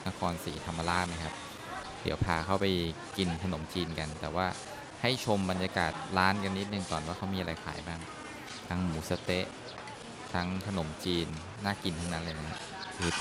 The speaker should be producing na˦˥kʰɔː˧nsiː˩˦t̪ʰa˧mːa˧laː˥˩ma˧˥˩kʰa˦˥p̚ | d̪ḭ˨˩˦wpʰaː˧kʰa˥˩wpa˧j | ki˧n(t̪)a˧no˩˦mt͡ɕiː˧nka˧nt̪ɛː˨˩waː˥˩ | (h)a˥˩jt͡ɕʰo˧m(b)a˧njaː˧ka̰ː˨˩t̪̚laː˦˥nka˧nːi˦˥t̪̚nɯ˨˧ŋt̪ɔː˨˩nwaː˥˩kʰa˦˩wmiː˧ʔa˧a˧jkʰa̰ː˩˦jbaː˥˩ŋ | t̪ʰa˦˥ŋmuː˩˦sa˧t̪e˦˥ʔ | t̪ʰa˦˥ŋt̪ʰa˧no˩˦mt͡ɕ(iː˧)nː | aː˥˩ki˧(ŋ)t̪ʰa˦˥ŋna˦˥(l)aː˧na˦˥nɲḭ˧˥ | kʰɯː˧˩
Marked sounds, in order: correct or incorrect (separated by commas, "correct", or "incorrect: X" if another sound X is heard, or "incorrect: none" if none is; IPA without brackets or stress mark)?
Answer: incorrect: t̪ʰ, correct, correct, correct, incorrect: n, correct